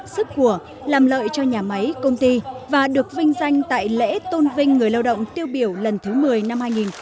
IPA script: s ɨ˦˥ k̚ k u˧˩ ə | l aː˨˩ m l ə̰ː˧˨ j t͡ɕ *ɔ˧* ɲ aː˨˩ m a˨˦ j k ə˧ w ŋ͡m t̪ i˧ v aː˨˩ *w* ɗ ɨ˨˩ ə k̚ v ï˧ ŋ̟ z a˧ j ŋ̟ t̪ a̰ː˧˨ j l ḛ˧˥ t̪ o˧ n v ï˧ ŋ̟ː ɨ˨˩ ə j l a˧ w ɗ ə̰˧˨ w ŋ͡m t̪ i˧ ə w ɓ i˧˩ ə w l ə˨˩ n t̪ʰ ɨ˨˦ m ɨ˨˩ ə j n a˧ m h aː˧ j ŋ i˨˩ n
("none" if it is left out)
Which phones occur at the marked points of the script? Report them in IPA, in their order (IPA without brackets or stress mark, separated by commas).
ɔ˧, none